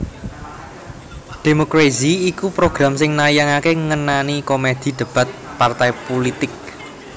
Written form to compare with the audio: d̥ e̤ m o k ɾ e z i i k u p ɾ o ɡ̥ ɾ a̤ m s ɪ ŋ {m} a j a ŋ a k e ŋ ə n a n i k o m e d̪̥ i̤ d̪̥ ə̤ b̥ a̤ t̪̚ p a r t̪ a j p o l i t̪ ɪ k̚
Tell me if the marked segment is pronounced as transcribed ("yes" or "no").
no